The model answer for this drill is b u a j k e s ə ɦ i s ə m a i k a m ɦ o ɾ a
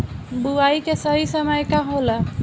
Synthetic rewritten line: b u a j k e s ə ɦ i s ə m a j k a ɦ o l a